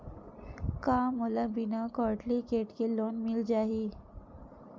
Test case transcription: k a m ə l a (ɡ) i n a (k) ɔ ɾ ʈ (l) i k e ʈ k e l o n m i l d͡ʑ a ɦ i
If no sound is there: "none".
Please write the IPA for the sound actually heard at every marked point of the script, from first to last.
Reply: b, k, l

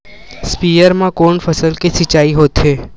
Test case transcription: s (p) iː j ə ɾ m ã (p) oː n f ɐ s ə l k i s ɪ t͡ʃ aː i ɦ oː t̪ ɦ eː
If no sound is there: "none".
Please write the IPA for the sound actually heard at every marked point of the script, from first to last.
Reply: p, k

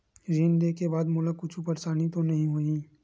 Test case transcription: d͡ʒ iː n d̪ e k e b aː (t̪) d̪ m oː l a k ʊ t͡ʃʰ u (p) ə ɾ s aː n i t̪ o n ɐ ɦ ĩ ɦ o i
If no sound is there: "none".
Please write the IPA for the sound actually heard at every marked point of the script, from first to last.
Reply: none, p

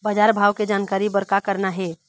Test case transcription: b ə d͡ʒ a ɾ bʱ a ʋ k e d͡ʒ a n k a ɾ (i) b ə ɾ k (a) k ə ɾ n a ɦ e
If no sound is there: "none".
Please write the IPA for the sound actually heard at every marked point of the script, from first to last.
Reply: i, a

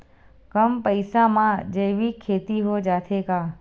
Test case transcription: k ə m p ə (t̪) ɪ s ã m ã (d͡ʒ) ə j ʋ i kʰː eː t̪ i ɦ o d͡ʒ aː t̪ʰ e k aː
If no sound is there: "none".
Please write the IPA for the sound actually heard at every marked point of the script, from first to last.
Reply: none, d͡ʒ

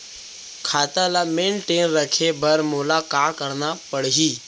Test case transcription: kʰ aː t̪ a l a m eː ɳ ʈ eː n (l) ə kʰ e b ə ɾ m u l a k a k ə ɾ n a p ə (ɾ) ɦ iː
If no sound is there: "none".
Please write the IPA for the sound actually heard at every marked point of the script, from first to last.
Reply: ɾ, ɽ

